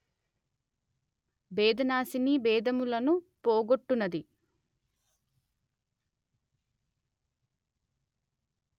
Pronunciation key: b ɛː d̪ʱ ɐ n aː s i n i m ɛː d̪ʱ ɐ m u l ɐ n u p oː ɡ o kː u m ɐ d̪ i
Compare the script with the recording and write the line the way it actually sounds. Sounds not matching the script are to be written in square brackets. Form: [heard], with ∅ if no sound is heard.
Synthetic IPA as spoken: b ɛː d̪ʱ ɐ n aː s i n i [b] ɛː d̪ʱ ɐ m u l ɐ n u p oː ɡ o [ʈː] u [n] ɐ d̪ i